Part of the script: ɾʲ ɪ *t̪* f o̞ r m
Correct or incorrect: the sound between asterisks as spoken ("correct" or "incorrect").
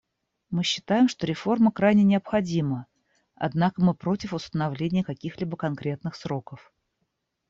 incorrect